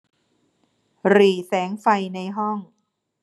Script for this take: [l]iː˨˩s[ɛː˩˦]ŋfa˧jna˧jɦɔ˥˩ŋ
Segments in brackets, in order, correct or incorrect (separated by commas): incorrect, correct